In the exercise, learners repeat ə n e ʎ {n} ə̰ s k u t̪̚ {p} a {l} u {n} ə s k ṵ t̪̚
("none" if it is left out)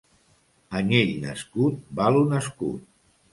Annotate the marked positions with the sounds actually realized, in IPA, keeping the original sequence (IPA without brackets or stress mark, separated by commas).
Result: n, b, l, n